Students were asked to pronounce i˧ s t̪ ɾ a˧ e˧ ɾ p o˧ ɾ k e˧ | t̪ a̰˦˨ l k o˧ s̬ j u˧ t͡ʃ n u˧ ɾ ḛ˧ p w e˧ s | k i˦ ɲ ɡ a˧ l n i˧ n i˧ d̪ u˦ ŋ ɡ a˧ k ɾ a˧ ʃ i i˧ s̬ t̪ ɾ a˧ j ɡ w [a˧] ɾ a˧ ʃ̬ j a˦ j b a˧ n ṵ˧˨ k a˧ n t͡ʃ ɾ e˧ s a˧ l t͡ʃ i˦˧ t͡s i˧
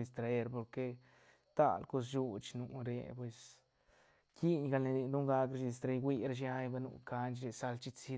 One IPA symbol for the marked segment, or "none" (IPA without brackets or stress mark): i˧